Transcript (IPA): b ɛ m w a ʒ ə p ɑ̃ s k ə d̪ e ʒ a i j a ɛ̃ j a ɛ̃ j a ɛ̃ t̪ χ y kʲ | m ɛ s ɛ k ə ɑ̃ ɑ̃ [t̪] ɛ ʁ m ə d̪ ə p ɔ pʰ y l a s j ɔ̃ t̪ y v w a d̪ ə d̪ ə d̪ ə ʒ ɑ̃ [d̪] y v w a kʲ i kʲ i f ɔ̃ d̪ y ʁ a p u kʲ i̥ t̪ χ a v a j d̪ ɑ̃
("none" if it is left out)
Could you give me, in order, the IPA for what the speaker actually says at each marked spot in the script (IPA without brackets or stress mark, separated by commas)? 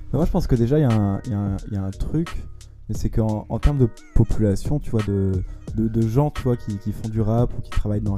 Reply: t̪, t̪